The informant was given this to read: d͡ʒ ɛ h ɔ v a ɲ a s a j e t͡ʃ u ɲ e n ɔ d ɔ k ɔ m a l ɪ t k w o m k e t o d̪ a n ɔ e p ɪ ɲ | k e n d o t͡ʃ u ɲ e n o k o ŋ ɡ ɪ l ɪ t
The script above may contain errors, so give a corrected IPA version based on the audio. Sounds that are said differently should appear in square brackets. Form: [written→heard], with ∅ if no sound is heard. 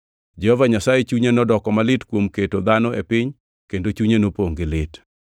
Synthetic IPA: d͡ʒ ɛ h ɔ v a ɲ a s a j e t͡ʃ u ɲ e n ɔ d ɔ k ɔ m a l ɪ t k w o m k e t o d̪ a n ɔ e p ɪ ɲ | k e n d o t͡ʃ u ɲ e n o [k→p] o ŋ ɡ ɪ l ɪ t